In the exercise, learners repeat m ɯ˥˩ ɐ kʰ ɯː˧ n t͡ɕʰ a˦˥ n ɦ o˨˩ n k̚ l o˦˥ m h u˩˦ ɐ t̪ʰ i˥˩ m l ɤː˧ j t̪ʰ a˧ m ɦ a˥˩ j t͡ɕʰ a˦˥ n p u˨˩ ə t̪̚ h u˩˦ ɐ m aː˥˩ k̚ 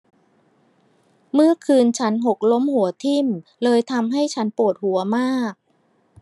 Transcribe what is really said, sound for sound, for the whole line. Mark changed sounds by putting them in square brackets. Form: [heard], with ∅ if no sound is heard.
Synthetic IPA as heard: m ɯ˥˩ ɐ kʰ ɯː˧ n t͡ɕʰ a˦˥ n ɦ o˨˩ [∅] k̚ l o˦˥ m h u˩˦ ɐ t̪ʰ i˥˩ m l ɤː˧ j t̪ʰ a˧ m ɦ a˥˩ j t͡ɕʰ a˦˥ n p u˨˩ ə t̪̚ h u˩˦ ɐ m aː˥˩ k̚